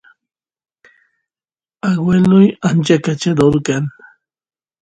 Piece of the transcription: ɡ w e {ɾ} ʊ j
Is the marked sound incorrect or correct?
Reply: incorrect